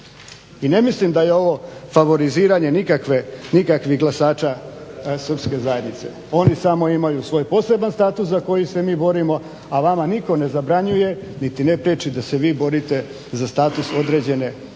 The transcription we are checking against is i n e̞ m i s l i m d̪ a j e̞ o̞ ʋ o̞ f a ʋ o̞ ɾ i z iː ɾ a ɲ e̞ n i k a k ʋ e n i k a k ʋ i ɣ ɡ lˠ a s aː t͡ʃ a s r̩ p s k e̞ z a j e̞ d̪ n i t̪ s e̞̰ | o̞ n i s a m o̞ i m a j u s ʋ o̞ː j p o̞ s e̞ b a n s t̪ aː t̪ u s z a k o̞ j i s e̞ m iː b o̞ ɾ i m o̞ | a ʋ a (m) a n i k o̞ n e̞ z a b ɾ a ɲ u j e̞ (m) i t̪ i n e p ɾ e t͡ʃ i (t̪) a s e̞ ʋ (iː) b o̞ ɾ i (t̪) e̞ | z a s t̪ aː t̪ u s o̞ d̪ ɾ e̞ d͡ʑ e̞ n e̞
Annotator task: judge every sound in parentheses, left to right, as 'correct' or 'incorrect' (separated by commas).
correct, incorrect, incorrect, correct, correct